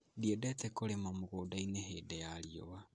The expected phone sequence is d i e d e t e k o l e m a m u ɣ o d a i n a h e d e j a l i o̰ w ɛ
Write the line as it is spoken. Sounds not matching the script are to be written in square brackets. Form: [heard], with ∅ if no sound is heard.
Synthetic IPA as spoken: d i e d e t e k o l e m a m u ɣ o d a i n [e] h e d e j a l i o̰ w [a]